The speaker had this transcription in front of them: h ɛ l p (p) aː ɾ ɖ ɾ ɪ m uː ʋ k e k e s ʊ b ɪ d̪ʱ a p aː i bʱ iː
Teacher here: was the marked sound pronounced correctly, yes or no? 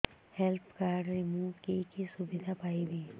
no